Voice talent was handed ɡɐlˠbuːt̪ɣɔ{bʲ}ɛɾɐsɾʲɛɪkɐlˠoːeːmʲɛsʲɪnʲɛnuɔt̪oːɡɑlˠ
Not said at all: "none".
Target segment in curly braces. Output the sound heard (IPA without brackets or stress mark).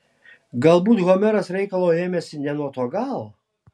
mʲ